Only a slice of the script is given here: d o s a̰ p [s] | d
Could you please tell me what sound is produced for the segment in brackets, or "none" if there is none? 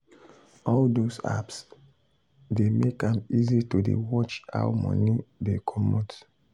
s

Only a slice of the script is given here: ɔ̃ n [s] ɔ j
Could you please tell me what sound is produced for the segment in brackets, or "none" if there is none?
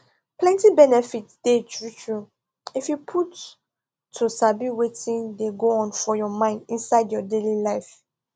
f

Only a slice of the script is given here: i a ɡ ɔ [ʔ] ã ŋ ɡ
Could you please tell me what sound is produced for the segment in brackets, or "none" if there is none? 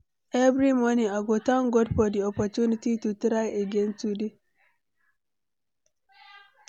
t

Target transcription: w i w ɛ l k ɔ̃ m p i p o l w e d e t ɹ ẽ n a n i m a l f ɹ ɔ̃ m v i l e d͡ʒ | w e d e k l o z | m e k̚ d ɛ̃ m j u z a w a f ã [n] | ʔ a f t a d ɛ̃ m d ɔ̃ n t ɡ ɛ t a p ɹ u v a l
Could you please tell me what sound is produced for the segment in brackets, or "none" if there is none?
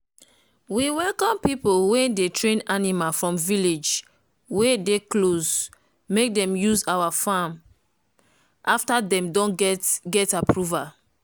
m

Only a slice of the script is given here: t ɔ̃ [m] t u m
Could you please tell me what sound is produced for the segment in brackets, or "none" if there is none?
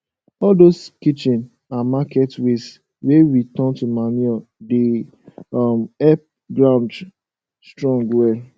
n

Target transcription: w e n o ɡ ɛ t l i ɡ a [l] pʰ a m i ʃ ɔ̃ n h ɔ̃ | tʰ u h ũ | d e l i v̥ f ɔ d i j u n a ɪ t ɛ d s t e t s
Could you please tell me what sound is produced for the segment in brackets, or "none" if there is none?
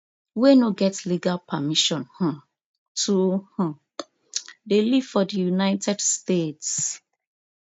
l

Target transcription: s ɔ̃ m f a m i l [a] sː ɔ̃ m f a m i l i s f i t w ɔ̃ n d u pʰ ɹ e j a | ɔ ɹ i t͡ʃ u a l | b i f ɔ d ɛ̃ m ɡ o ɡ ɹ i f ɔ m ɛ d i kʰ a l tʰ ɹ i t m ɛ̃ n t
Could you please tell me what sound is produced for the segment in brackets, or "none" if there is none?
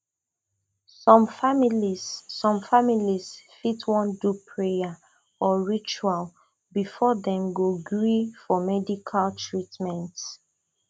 i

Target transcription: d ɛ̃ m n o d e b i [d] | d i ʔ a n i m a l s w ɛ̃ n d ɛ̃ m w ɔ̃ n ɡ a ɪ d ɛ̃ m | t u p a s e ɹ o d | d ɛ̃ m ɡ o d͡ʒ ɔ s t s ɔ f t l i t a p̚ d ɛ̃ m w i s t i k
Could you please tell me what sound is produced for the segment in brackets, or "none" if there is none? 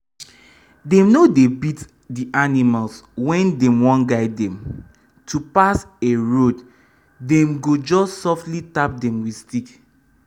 t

